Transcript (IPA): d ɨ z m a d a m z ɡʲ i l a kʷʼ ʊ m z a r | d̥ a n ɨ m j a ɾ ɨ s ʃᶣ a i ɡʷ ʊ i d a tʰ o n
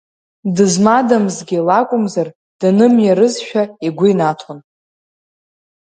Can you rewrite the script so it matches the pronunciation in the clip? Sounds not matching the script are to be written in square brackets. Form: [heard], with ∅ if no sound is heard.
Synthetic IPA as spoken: d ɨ z m a d a m z ɡʲ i l a kʷʼ ʊ m z a r | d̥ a n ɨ m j a ɾ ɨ [z] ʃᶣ a i ɡʷ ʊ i [n] a tʰ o n